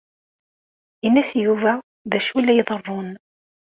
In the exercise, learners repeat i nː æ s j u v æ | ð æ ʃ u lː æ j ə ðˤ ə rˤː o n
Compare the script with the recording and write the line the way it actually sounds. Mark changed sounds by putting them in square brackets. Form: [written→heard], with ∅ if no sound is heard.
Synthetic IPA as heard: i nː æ s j u v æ | ð æ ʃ u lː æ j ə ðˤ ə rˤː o n